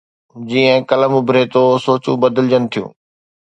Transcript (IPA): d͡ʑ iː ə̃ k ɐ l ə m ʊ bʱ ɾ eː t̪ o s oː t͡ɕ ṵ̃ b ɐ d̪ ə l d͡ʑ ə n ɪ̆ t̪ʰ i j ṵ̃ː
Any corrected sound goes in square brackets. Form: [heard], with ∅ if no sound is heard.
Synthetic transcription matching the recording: d͡ʑ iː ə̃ k ɐ l ə m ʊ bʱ ɾ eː t̪ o s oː t͡ɕ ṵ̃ b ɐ d̪ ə l d͡ʑ ə n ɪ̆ t̪ʰ i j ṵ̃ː